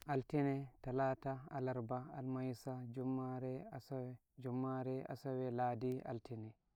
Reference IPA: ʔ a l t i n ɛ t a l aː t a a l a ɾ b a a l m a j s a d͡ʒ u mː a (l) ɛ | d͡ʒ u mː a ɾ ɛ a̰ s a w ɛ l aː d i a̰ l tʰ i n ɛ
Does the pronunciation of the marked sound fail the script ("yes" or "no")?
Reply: yes